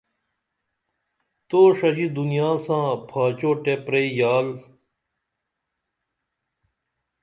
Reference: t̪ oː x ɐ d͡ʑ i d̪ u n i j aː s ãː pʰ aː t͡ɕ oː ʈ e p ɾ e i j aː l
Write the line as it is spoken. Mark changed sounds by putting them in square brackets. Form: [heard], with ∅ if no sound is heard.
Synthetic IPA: t̪ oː [ʂ] ɐ d͡ʑ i d̪ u n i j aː s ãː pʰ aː t͡ɕ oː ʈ e p ɾ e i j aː l

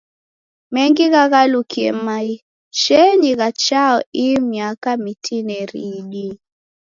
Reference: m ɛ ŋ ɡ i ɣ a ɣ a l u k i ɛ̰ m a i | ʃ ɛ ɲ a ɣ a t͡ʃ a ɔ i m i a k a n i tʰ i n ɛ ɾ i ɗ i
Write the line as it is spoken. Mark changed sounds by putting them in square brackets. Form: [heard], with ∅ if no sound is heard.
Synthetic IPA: m ɛ ŋ ɡ i ɣ a ɣ a l u k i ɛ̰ m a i | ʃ ɛ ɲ [i] ɣ a t͡ʃ a ɔ i m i a k a [m] i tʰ i n ɛ ɾ i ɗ i

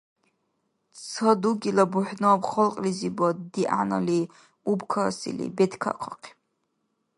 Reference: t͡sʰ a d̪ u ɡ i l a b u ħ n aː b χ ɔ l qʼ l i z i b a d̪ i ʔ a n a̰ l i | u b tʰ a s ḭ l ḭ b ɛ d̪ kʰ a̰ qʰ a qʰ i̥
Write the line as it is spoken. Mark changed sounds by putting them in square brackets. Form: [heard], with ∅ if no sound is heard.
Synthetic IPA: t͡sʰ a d̪ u ɡ i l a b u ħ n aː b χ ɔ l qʼ l i z i b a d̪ i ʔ a n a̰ l i | u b [kʰ] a s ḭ l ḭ b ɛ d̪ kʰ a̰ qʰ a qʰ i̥

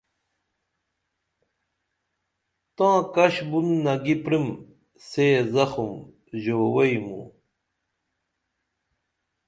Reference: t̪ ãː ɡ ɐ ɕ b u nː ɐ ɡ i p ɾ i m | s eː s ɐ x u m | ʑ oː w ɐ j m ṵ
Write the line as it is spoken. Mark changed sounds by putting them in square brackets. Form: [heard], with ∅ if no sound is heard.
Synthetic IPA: t̪ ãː [k] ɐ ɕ b u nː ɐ ɡ i p ɾ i m | s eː [z] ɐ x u m | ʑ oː w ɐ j m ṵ

